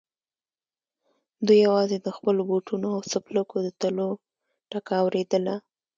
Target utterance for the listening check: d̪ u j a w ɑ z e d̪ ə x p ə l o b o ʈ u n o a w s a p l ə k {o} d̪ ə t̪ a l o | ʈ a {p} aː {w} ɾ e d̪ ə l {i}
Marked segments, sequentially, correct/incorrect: correct, incorrect: k, correct, incorrect: a

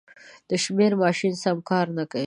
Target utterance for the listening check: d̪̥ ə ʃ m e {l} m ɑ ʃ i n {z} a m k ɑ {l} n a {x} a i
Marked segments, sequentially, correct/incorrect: incorrect: ɾ, incorrect: s, incorrect: ɾ, incorrect: k

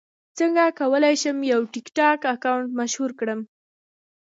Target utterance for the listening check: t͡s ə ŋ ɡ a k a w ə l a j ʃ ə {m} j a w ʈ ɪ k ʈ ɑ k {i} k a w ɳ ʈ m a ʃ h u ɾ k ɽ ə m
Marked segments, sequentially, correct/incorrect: correct, incorrect: a

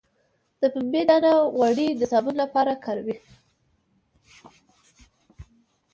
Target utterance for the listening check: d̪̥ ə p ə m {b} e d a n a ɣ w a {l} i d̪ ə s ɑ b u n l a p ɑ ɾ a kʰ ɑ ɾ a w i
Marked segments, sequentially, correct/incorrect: correct, incorrect: ɽ

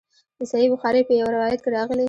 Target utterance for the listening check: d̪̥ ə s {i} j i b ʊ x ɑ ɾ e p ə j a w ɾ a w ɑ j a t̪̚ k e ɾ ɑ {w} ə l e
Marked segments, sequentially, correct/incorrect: incorrect: a, incorrect: ɣ

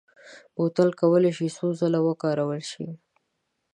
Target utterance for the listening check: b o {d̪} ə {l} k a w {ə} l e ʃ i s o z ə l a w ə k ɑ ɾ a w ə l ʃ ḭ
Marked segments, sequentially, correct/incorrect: incorrect: t̪, correct, correct

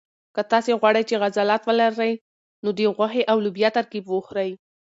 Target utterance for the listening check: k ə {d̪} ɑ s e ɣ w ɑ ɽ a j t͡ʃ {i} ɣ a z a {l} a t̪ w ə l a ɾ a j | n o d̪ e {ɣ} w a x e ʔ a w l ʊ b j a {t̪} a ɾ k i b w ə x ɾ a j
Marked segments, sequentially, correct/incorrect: incorrect: t̪, incorrect: e, correct, correct, correct

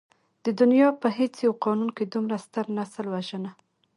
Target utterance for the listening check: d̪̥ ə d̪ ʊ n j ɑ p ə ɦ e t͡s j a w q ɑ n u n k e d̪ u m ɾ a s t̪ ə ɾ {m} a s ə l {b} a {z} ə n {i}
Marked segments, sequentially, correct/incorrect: incorrect: n, incorrect: w, incorrect: ʒ, incorrect: a

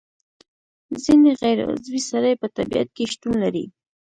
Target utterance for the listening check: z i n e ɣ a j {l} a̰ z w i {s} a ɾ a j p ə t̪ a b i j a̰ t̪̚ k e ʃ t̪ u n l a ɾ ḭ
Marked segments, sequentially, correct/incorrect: incorrect: ɾ, correct

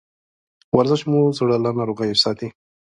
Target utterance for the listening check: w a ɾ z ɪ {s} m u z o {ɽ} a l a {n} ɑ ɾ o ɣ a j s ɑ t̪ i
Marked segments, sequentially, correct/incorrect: incorrect: ʃ, correct, correct

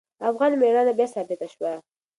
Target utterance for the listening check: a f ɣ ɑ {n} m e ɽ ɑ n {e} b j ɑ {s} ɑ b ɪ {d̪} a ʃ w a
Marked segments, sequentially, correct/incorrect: correct, incorrect: a, correct, incorrect: t̪

